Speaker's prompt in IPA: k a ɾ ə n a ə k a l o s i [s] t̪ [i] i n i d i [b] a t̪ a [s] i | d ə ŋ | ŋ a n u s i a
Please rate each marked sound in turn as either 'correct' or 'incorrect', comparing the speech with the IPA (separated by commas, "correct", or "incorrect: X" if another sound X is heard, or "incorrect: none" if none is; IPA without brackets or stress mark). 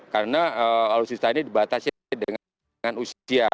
correct, incorrect: a, correct, correct